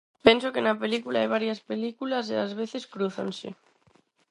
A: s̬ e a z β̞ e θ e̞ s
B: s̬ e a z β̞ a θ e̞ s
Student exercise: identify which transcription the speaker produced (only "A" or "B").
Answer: A